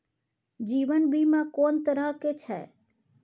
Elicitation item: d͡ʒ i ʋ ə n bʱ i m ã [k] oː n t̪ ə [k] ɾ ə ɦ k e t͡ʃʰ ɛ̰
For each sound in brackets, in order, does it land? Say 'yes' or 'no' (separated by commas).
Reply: yes, no